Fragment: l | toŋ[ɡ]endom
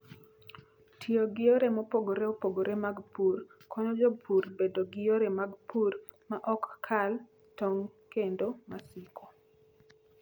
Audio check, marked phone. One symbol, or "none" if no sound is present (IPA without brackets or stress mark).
k